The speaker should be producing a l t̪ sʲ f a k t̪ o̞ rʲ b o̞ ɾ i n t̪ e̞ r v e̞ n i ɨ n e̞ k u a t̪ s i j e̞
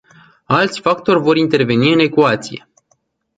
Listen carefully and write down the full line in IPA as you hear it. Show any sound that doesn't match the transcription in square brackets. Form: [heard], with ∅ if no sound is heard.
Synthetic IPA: a l t̪ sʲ f a k t̪ o̞ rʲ [v] o̞ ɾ i n t̪ e̞ r v e̞ n i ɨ n e̞ k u a t̪ s i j e̞